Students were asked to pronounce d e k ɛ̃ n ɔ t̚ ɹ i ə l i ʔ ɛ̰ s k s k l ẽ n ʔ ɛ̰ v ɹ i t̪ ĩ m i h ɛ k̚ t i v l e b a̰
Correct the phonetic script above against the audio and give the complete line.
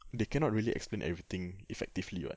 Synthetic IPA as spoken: d e k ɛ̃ n ɔ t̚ ɹ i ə l i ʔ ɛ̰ k s p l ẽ n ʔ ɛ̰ v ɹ i t̪ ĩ ŋ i f ɛ k̚ t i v l i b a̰

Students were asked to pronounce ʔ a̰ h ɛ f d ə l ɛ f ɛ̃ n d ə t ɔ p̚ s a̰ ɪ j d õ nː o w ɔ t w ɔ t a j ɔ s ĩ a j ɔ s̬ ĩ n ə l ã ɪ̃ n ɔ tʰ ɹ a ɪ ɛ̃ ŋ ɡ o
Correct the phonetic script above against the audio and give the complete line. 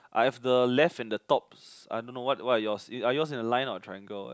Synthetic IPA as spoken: ʔ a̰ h ɛ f d ə l ɛ f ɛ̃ n d ə t ɔ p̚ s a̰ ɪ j d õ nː o w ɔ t w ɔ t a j ɔ s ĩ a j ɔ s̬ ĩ n ə l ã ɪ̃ n ɔ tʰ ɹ a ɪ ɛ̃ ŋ ɡ o

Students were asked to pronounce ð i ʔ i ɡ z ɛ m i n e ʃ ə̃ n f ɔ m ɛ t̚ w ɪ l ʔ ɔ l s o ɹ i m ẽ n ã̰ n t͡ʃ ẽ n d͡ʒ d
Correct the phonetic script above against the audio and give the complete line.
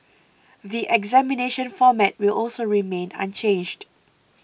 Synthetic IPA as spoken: ð i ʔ ɛ ɡ z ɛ m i n e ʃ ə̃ n f ɔ m ɛ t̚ w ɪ l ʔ ɔ l s o ɹ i m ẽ n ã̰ n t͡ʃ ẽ n d͡ʒ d

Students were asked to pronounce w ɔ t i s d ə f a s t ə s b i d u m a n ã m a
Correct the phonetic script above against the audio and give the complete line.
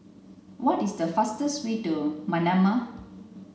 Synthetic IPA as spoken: w ɔ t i s d ə f a s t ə s w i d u m a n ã m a

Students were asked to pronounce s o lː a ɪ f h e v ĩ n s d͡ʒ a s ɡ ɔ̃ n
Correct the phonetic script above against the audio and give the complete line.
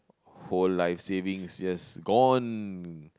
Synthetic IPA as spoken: h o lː a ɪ f s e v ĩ ŋ s d͡ʒ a s ɡ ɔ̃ n

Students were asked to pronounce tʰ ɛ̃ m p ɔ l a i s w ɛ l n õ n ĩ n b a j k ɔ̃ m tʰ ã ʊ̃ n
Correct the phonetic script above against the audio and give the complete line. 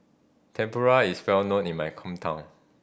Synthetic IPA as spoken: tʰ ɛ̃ m p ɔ ɹ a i s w ɛ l n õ n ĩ n m a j kʰ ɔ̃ m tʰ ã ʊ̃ n

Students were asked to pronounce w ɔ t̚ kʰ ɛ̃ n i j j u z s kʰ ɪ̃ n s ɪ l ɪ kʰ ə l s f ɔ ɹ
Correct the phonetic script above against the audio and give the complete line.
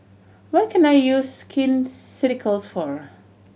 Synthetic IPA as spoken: w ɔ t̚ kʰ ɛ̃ n a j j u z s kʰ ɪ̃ n s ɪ ɾ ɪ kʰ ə l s f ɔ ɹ

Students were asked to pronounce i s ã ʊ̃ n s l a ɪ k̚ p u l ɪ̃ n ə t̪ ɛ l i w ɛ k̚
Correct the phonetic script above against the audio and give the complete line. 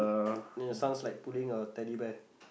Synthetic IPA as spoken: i s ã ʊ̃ n s l a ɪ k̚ p u l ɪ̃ ŋ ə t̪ ɛ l i b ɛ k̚

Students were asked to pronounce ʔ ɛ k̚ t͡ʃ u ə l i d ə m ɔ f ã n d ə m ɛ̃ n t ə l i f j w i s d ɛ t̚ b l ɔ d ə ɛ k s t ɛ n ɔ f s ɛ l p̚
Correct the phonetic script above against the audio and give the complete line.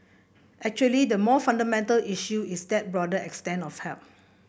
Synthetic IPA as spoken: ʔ ɛ k̚ t͡ʃ u ə l i d ə m ɔ f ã n d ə m ɛ̃ n t ə l i ʃ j u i s d ɛ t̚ b ɹ ɔ d ə ɛ k s t ɛ̃ n ɔ f h ɛ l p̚

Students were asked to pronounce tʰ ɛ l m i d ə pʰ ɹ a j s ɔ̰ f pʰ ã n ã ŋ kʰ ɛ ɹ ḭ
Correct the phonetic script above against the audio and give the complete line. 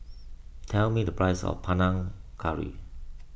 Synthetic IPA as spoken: tʰ ɛ l m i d ə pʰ ɹ a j s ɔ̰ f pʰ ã n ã ŋ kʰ a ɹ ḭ

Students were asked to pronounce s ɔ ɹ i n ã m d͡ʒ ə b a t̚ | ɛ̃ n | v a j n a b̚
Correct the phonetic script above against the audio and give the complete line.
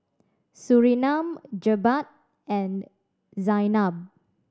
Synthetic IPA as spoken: s u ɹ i n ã m d͡ʒ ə b a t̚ | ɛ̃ n | z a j n a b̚

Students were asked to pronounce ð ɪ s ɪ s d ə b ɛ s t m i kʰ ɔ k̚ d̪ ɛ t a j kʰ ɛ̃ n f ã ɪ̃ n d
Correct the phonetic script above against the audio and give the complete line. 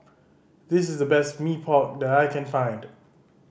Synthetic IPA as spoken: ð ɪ s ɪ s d ə b ɛ s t m i pʰ ɔ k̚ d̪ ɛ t a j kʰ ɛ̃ n f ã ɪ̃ n d

